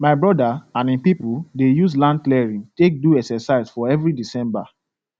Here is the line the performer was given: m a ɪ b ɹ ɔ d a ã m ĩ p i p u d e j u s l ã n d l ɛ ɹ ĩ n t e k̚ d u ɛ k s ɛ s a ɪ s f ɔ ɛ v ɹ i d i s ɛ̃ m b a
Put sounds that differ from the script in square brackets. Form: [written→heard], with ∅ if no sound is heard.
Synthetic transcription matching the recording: m a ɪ b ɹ ɔ d a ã [m→n] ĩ p i p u d e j u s l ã n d l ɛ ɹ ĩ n t e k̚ d u ɛ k s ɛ s a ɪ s f ɔ ɛ v ɹ i d i s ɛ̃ m b a